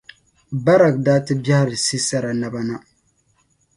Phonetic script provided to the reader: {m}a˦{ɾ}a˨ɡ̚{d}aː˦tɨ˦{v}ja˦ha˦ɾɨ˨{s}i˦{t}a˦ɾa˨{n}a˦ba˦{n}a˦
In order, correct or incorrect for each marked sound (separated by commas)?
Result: incorrect, correct, correct, incorrect, correct, incorrect, correct, correct